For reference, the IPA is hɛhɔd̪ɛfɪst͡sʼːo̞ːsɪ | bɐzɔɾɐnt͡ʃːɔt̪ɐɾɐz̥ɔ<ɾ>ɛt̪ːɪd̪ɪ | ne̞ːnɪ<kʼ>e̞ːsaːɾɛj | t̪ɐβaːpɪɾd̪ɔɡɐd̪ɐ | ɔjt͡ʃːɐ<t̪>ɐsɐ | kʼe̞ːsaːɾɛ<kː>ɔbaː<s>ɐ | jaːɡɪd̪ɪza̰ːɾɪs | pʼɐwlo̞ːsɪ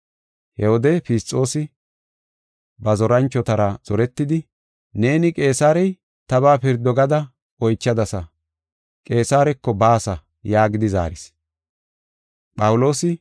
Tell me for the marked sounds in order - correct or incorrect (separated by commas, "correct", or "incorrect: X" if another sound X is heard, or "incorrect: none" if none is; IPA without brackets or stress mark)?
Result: correct, correct, incorrect: d̪, correct, correct